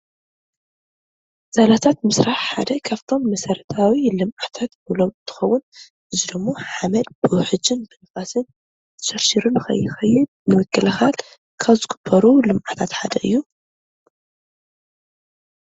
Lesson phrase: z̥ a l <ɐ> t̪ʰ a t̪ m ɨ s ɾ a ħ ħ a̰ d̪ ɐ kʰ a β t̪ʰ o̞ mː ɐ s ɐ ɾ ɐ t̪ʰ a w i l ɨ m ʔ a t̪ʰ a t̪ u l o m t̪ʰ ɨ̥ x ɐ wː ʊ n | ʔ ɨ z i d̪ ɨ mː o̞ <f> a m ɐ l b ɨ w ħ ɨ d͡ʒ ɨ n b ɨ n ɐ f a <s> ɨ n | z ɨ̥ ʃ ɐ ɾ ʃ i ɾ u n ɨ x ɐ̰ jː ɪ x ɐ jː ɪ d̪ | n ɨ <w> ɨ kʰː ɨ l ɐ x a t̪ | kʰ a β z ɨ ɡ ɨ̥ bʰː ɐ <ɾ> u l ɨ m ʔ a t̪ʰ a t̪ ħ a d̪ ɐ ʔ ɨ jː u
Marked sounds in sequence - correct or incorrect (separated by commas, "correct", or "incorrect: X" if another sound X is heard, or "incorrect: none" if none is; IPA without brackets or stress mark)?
incorrect: a, incorrect: ħ, correct, correct, correct